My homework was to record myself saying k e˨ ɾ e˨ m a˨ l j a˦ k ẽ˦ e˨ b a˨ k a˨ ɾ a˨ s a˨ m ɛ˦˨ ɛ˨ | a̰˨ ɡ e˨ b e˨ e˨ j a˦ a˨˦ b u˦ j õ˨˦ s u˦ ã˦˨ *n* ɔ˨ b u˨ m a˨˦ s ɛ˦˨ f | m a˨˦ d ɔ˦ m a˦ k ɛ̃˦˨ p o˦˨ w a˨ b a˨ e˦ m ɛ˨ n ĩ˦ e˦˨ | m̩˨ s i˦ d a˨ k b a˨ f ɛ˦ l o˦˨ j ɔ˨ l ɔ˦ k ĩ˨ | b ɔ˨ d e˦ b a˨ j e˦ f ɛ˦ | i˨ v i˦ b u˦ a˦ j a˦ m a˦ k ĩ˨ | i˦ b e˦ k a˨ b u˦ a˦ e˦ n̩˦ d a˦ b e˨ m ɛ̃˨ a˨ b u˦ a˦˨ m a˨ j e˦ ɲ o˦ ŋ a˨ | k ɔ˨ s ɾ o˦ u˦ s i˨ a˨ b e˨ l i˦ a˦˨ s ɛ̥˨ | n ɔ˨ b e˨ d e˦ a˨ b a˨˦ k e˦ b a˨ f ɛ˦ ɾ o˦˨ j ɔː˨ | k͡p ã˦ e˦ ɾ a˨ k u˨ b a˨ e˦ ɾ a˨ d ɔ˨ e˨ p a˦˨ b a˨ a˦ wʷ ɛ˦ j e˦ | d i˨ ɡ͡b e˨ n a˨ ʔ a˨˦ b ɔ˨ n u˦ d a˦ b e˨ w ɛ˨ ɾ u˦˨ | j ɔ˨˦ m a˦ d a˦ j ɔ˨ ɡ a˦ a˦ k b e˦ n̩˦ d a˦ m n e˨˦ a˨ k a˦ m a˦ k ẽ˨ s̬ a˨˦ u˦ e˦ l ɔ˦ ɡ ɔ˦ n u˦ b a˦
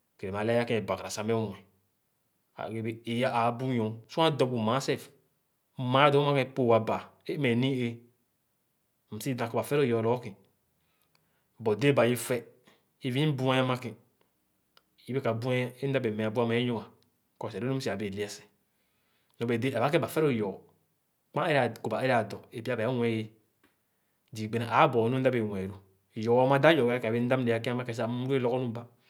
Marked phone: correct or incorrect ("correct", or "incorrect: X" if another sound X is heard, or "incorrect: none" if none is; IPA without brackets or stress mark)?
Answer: incorrect: d